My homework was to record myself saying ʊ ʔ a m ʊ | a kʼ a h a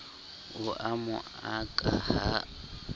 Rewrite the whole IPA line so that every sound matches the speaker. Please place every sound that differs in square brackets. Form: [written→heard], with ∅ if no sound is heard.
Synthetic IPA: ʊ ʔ a m ʊ | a kʼ a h a